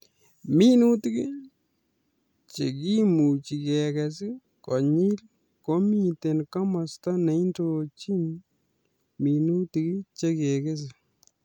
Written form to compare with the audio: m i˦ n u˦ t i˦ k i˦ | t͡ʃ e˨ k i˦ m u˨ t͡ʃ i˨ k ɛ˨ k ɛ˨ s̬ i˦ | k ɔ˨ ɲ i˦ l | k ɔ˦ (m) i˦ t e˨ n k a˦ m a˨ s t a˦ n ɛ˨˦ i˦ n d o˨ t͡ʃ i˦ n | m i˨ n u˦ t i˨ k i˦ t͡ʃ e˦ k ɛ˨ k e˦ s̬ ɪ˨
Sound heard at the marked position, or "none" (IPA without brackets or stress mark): m